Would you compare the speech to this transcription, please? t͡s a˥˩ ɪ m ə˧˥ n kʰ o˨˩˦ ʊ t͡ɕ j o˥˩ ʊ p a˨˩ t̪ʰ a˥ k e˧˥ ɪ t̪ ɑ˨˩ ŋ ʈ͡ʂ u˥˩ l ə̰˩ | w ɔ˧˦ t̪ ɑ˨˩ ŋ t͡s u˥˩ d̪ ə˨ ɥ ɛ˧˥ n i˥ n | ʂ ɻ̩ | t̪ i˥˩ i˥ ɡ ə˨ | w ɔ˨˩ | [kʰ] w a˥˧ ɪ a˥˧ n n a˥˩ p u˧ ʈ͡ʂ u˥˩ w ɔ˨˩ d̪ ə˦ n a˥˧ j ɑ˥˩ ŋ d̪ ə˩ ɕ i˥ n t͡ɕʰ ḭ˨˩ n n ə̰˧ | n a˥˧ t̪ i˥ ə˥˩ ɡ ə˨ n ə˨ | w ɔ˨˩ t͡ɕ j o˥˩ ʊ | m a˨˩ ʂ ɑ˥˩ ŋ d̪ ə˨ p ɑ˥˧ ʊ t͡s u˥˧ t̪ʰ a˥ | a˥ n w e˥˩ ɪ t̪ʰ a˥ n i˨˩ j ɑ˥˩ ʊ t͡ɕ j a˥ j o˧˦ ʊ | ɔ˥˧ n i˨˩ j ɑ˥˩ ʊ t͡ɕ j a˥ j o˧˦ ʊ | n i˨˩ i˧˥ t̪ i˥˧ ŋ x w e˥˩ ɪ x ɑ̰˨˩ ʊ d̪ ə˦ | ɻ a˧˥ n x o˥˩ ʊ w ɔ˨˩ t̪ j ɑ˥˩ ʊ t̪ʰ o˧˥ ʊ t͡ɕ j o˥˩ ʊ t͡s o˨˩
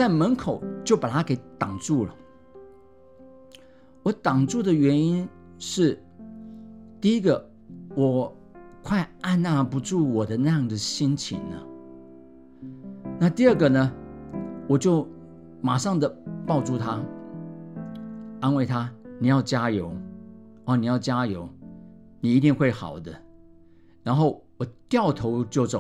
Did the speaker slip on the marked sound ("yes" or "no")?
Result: no